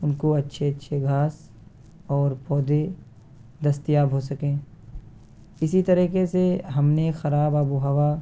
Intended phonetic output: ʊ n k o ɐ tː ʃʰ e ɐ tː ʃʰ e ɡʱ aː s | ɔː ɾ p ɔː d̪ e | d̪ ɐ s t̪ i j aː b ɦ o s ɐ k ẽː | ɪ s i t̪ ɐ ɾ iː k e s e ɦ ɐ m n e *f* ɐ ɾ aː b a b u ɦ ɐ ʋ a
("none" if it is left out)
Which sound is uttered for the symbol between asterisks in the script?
x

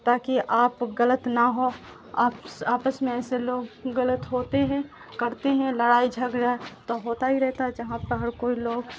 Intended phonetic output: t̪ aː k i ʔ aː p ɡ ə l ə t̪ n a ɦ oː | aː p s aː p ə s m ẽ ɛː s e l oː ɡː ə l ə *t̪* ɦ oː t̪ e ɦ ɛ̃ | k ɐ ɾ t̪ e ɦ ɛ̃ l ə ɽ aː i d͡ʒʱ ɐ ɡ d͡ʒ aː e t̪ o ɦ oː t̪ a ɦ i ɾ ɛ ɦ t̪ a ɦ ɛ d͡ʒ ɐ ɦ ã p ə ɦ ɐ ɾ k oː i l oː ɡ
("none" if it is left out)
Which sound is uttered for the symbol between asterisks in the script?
t̪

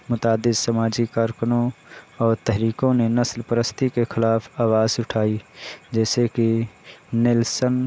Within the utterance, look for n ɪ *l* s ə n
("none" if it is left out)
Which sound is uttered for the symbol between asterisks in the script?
l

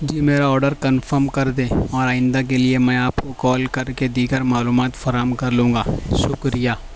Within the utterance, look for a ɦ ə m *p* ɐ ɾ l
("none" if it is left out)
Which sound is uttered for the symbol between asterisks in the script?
k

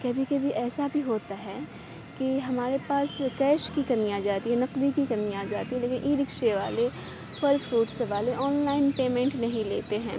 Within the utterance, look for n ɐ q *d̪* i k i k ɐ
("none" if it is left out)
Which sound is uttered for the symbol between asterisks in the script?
d̪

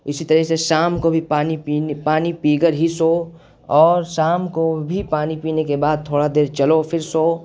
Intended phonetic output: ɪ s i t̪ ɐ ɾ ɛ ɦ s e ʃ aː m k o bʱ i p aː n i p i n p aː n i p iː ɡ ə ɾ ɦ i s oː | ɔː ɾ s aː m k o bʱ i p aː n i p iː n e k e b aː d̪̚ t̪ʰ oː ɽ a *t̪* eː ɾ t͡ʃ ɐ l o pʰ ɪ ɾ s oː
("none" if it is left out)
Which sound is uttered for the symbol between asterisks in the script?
d̪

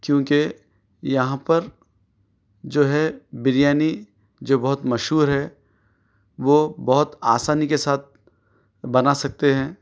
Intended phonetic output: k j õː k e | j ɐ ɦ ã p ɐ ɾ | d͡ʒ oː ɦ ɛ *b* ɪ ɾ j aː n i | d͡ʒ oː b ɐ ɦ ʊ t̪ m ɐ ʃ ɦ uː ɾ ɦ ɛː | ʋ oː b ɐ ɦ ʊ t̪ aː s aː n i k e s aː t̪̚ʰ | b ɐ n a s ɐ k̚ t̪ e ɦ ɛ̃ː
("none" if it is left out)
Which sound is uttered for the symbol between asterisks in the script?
b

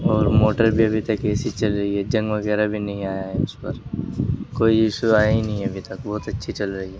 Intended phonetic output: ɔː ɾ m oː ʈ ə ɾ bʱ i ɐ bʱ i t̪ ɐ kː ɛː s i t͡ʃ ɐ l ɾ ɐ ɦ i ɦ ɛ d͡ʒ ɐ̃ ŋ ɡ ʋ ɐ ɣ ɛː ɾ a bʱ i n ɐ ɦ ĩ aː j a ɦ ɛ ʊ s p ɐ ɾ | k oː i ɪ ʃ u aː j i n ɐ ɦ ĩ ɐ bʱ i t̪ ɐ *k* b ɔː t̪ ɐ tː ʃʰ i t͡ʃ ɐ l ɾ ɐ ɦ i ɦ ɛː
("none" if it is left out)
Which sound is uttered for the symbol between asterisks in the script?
k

